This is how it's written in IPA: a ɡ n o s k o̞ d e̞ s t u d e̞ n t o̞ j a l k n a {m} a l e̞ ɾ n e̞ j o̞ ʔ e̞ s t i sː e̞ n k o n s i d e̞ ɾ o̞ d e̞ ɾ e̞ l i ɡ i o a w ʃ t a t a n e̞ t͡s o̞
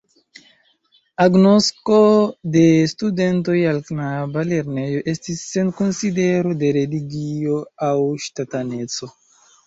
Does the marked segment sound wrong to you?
yes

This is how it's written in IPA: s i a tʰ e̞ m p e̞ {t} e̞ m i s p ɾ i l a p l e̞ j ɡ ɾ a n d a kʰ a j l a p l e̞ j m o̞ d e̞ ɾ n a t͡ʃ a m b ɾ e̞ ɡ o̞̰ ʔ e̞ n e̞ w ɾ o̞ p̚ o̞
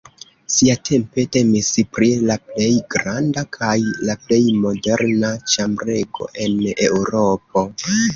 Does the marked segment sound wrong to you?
no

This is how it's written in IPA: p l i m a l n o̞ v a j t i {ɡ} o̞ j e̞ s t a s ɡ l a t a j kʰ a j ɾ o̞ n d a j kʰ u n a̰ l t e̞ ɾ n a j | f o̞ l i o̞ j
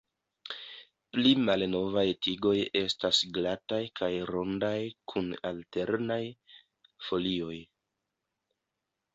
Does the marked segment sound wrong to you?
no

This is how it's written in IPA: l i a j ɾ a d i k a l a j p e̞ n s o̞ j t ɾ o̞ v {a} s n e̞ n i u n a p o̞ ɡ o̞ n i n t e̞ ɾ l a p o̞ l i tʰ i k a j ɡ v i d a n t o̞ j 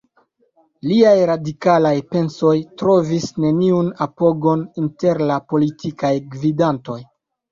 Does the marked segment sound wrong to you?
yes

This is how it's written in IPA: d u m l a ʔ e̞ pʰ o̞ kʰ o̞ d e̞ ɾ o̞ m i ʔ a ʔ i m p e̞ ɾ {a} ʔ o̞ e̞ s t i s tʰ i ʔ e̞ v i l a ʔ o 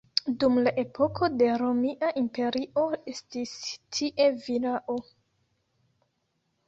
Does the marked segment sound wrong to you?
yes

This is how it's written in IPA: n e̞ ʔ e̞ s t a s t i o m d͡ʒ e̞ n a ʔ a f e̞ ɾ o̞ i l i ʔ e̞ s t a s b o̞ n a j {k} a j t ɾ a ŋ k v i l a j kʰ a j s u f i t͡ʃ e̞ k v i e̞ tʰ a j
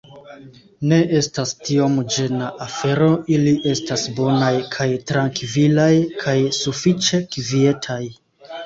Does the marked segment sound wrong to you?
yes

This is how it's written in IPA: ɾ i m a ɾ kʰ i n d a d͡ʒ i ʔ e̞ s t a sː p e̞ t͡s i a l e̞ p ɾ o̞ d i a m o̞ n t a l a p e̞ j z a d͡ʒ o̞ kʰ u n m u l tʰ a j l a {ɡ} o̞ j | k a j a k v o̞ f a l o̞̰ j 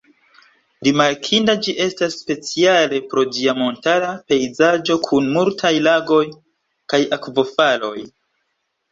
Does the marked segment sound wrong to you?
no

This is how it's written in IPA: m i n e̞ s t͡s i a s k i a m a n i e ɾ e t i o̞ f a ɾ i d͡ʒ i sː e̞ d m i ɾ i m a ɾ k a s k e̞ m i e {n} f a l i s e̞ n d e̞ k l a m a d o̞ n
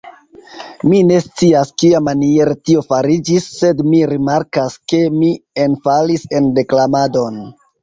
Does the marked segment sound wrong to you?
no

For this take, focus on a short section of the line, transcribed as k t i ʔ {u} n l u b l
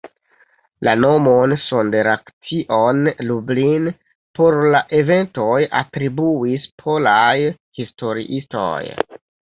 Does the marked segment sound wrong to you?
yes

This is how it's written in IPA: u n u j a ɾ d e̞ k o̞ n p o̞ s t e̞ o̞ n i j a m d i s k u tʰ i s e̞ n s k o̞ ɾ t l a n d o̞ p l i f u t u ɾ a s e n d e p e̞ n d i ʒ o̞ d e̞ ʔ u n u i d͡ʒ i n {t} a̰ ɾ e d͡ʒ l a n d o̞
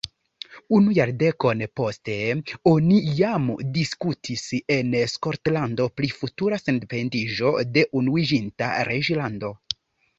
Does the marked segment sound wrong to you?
no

